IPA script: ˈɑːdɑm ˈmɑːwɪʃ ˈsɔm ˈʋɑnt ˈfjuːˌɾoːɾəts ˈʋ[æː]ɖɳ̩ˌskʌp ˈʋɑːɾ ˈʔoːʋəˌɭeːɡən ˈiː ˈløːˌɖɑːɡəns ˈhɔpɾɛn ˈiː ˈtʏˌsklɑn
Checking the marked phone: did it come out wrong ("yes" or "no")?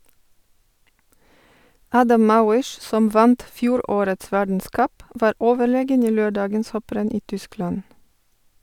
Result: yes